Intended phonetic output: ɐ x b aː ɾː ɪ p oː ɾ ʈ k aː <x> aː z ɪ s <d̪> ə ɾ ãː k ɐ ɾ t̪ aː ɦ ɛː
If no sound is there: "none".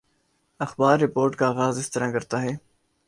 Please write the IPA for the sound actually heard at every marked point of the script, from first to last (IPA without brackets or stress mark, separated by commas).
ɣ, t̪